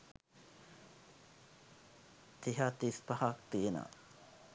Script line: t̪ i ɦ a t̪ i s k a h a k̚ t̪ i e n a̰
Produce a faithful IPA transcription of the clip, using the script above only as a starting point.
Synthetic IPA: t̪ i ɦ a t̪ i s p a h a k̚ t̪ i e n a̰